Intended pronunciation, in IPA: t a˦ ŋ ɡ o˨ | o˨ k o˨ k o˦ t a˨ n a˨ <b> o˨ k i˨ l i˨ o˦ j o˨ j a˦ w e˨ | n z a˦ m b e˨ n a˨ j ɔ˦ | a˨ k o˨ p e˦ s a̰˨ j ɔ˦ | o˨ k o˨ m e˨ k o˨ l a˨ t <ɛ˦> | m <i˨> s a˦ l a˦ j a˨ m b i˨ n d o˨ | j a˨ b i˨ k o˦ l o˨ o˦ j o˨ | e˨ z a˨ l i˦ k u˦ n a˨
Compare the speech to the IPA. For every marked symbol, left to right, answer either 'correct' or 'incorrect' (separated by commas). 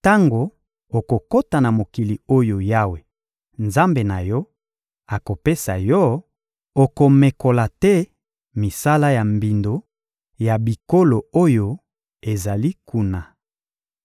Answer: incorrect, correct, correct